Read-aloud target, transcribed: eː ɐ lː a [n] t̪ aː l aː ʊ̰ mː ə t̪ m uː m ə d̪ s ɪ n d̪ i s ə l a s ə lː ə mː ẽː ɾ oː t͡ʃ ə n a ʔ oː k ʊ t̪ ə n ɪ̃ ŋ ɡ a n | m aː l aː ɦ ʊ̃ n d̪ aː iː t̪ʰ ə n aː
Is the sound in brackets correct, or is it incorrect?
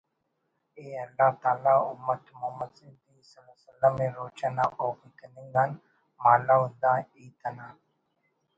incorrect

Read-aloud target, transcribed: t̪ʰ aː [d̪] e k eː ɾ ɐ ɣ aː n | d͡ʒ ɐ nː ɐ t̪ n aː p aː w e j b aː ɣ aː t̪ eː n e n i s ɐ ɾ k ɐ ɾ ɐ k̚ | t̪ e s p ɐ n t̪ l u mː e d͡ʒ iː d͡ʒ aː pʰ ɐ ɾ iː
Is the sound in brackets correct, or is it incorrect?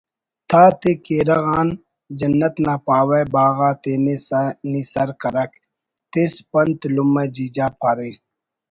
incorrect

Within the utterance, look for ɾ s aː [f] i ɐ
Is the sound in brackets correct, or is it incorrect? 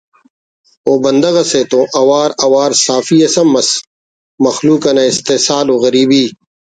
correct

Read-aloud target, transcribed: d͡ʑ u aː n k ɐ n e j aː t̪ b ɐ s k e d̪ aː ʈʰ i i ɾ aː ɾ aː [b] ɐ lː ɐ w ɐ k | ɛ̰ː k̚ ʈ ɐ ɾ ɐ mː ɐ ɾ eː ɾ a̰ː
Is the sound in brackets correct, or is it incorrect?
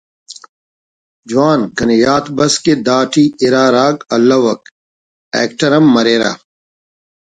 incorrect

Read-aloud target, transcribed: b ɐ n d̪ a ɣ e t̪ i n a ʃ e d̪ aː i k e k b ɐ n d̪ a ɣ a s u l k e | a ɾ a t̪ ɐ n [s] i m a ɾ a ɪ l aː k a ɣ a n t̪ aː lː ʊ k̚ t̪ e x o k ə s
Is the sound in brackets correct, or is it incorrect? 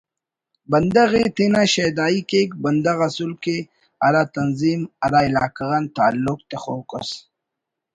incorrect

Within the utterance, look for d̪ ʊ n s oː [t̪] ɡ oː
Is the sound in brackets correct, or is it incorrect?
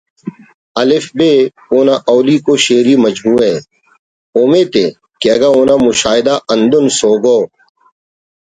incorrect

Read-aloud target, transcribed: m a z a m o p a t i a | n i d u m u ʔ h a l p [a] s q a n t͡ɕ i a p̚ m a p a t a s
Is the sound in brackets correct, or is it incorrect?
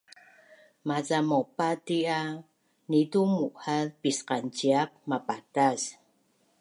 incorrect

